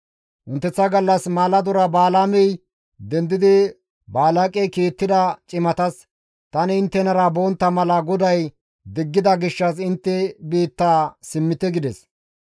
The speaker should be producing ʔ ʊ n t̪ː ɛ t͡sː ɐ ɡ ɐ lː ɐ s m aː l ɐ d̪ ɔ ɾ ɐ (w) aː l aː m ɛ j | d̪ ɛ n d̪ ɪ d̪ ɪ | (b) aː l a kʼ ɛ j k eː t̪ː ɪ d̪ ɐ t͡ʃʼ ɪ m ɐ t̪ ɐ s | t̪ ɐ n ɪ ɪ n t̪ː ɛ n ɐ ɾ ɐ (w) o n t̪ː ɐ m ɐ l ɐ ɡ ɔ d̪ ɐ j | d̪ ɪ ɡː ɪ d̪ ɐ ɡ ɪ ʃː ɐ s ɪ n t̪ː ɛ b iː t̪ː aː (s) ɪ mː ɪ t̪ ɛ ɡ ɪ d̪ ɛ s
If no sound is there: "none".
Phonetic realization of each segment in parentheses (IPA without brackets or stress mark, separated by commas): b, b, b, s